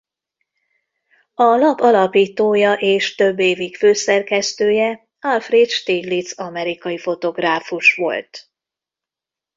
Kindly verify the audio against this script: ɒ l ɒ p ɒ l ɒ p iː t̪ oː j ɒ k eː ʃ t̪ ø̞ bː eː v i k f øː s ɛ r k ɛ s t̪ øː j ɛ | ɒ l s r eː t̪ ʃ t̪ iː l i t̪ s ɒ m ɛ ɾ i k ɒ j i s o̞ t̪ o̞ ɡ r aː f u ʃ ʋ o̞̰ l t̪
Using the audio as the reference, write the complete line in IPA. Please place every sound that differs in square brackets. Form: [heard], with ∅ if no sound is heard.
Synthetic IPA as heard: ɒ l ɒ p ɒ l ɒ p iː t̪ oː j ɒ [ʔ] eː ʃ t̪ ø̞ bː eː v i k f øː s ɛ r k ɛ s t̪ øː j ɛ | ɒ l [f] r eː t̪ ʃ t̪ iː l i t̪ s ɒ m ɛ ɾ i k ɒ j i [f] o̞ t̪ o̞ ɡ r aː f u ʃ ʋ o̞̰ l t̪